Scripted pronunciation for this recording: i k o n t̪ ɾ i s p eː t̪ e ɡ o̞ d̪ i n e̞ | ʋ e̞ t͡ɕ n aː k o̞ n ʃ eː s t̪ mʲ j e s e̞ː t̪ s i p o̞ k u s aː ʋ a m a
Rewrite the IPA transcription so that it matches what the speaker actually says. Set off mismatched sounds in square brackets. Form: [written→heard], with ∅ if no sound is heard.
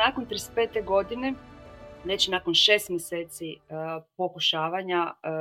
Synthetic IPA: [i→a] k o n t̪ ɾ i s p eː t̪ e ɡ o̞ d̪ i n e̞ | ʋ e̞ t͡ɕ n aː k o̞ n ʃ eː s t̪ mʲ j e s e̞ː t̪ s i p o̞ k u [s→ʃ] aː ʋ a [m→ɲ] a